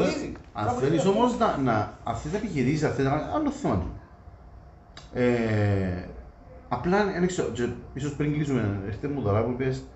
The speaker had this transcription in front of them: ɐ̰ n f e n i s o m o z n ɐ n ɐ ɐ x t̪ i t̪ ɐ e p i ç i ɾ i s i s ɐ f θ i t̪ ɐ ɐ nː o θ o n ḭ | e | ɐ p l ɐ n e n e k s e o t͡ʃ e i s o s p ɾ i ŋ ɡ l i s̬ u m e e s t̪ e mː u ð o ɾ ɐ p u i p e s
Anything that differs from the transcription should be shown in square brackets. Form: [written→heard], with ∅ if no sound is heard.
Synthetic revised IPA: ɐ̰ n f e n i s o m o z n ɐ n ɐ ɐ [x→f] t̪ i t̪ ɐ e p i ç i ɾ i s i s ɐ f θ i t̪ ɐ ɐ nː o θ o n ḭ | e | ɐ p l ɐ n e n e k s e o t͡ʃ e i s o s p ɾ i ŋ ɡ l i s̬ u m e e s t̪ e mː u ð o ɾ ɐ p u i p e s